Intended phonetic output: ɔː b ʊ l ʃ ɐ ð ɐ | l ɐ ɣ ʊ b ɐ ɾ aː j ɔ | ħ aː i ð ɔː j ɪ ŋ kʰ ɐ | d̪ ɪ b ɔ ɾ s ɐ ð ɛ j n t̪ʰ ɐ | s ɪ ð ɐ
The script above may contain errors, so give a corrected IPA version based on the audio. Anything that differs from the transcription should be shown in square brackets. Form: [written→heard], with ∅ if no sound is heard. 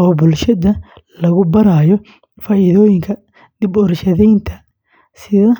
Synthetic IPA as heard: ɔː b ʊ l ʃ ɐ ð ɐ | l ɐ ɣ ʊ b ɐ ɾ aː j ɔ | [ħ→f] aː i ð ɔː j ɪ ŋ kʰ ɐ | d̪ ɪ b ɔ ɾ [s→ʃ] ɐ ð ɛ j n t̪ʰ ɐ | s ɪ ð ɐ